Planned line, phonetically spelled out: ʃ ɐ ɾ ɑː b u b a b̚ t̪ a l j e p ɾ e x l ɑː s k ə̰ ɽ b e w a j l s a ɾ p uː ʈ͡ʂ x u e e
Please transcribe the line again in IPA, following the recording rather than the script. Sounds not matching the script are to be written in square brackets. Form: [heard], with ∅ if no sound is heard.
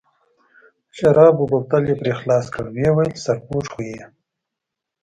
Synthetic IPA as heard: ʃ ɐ ɾ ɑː b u b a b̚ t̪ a l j e p ɾ e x l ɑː s k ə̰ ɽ [w] e w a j l s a ɾ p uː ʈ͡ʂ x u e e